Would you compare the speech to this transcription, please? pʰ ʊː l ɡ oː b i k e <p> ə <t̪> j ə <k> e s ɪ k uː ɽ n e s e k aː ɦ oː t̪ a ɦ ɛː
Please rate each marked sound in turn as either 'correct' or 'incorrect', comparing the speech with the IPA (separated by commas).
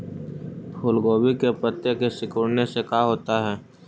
correct, correct, correct